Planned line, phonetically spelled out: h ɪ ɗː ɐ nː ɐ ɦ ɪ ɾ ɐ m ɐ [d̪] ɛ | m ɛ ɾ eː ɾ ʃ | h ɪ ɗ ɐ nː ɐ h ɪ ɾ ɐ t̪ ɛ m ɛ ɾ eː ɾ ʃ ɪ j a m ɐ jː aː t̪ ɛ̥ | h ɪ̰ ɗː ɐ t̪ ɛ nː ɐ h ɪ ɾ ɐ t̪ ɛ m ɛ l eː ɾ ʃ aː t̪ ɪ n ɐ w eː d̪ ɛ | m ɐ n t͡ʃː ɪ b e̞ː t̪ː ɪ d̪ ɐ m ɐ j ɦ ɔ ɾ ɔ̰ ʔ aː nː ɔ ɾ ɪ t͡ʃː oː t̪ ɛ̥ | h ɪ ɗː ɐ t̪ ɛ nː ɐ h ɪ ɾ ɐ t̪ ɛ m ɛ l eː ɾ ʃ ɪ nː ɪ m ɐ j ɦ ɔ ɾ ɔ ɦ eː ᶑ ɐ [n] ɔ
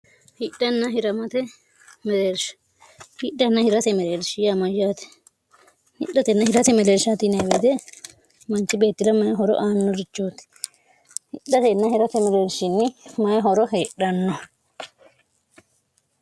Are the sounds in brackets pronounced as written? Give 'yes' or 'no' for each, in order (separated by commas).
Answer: no, no